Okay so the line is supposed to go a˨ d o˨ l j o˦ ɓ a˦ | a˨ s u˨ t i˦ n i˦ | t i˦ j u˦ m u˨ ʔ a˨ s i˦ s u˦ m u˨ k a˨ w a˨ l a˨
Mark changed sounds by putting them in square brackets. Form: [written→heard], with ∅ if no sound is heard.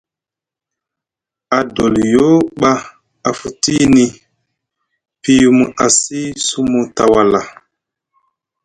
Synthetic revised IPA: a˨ d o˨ l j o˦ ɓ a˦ | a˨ [s→f] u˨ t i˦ n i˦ | [t→p] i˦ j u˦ m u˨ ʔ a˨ s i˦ s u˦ m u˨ [k→t] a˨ w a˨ l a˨